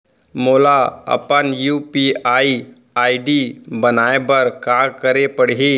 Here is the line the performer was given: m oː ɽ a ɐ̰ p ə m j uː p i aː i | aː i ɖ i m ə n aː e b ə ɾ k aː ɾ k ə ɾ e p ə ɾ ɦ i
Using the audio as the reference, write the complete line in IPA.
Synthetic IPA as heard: m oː l a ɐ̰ p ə n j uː p i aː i | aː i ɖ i b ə n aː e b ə ɾ k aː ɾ k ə ɾ e p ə ɽ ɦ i